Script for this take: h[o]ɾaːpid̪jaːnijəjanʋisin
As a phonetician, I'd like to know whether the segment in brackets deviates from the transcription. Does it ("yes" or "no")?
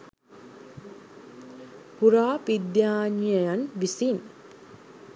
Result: yes